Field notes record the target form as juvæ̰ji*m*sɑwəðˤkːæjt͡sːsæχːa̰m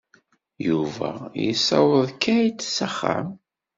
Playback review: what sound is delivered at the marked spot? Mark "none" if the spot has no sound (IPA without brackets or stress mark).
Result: none